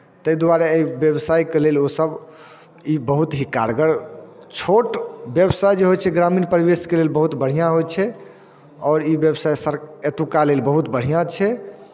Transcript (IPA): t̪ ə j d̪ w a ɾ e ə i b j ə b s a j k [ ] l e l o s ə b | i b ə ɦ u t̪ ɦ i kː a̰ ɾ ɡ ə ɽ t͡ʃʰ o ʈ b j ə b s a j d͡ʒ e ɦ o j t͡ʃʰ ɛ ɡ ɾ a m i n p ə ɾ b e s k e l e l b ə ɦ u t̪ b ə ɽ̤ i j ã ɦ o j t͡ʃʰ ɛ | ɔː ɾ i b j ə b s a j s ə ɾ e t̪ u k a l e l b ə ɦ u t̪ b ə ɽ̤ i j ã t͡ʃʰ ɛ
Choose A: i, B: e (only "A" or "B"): B